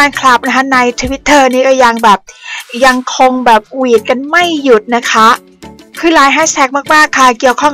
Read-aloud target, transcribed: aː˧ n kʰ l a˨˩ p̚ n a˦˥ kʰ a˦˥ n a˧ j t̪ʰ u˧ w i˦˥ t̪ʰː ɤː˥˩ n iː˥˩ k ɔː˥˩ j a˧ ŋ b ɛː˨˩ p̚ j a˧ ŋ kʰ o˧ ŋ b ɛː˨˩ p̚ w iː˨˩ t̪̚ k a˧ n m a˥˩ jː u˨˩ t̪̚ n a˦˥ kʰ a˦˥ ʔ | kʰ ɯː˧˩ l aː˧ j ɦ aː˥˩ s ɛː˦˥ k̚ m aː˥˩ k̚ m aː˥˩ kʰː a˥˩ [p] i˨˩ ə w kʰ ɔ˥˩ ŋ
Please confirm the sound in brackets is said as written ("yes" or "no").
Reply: no